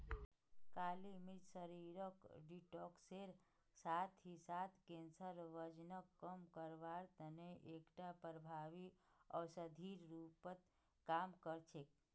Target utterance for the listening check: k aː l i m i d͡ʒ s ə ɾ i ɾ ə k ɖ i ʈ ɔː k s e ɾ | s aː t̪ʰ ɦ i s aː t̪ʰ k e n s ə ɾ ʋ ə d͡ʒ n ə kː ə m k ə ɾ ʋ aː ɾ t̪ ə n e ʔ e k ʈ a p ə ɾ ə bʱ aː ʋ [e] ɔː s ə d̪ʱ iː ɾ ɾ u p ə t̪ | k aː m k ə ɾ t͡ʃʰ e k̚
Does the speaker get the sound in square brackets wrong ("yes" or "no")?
yes